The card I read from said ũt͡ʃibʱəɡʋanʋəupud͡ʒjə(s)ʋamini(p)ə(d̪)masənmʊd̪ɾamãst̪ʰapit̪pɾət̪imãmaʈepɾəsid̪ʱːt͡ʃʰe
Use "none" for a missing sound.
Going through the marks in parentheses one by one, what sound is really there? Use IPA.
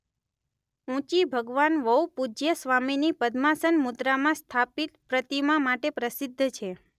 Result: s, p, d̪

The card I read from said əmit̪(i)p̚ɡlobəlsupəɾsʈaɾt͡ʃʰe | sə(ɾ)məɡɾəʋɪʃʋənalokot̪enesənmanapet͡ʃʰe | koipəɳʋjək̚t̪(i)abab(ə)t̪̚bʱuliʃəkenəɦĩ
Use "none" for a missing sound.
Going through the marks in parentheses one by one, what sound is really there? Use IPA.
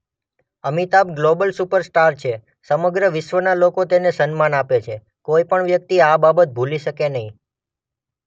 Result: a, none, i, ə

